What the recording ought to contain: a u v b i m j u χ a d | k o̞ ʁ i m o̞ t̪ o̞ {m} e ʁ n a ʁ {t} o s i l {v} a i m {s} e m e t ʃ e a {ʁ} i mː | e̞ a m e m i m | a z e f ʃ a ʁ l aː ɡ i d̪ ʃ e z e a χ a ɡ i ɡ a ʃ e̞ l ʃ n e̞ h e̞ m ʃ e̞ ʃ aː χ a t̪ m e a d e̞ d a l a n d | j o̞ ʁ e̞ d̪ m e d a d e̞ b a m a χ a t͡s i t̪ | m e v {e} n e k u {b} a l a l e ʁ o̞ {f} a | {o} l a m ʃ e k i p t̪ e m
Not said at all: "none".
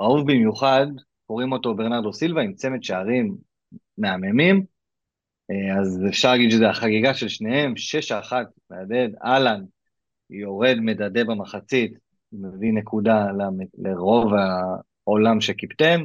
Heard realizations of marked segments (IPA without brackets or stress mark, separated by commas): b, d, v, t͡s, ʁ, i, d, v, o